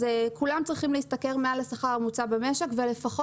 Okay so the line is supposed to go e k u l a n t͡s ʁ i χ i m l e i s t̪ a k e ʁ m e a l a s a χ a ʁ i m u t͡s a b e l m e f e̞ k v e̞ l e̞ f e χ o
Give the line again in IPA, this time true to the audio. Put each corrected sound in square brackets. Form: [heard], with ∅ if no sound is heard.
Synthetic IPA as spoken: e k u l a [m] t͡s ʁ i χ i m l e i s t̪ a k e ʁ m e a l a s a χ a ʁ [a] m u t͡s a b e [∅] m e [ʃ] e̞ k v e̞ l e̞ f [a] χ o

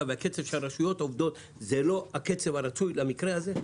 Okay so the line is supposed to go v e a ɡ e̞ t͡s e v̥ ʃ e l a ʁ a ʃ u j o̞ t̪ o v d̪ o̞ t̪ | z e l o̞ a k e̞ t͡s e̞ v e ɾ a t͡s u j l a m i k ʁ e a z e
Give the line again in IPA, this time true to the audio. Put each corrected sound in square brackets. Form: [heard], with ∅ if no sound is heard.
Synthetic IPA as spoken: v e a [k] e̞ t͡s e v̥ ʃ e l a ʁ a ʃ u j o̞ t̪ o v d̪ o̞ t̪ | z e l o̞ a k e̞ t͡s e̞ v [a] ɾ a t͡s u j l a m i k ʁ e a z e

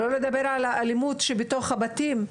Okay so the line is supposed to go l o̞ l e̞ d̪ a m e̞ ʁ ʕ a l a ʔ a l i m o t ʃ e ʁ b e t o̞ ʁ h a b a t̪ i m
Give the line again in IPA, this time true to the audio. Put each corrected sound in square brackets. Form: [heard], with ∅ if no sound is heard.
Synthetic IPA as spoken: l o̞ l e̞ d̪ a [b] e̞ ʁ ʕ a l a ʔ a l i m [u] t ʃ e [∅] b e t o̞ [χ] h a b a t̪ i m

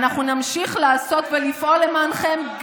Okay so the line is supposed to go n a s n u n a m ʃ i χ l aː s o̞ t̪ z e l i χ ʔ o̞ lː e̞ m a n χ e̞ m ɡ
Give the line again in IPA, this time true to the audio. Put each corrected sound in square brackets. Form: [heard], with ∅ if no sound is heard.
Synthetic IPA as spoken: n a [χ] n u n a m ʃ i χ l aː s o̞ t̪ [v] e l i [f] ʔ o̞ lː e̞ m a n χ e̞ m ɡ

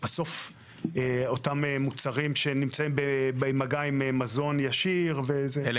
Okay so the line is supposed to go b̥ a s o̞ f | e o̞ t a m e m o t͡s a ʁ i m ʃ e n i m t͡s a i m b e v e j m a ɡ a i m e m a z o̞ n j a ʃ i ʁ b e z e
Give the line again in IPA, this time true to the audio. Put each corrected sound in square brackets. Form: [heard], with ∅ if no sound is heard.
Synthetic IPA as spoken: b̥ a s o̞ f | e o̞ t a m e m [u] t͡s a ʁ i m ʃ e n i m t͡s a i m b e [b] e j m a ɡ a i m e m a z o̞ n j a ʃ i ʁ [v] e z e

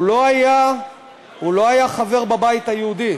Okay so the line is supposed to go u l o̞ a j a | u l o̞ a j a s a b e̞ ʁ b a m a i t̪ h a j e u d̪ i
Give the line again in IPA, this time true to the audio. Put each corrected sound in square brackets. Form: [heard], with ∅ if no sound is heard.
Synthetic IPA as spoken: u l o̞ a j a | u l o̞ a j a [χ] a [v] e̞ ʁ b a [b] a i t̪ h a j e u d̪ i

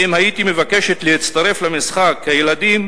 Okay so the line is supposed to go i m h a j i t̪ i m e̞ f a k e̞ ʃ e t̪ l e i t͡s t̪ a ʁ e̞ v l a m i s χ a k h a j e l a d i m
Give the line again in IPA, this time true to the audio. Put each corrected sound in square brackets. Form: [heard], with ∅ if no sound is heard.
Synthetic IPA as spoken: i m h a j i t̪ i m e̞ [v] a k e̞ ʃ e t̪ l e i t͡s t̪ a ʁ e̞ [f] l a m i s χ a k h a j e l a d i m

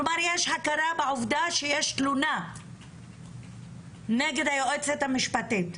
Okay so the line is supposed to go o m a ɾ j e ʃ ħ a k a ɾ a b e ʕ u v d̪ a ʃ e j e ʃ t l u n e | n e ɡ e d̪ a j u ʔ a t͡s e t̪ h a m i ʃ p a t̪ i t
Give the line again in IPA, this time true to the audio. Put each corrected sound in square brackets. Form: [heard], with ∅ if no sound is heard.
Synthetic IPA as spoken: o m a ɾ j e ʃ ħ a k a ɾ a b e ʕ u v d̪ a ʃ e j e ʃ t l u n [a] | n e ɡ e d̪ a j [o] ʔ [e] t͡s e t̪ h a m i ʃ p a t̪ i t

